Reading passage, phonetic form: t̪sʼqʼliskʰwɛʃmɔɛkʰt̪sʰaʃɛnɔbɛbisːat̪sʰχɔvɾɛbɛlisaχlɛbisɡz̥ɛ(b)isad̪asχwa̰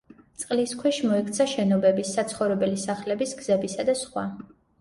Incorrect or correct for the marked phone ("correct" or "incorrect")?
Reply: correct